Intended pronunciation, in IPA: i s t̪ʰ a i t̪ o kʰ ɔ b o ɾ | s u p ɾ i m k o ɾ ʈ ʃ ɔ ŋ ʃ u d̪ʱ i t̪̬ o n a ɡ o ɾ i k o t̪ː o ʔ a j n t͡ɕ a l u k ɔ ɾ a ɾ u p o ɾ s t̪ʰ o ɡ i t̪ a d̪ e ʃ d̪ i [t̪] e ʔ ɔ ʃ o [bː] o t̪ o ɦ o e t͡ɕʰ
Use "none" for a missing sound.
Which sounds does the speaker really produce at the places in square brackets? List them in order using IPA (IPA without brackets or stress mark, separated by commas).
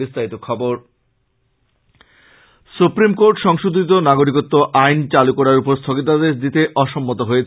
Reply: t̪, mː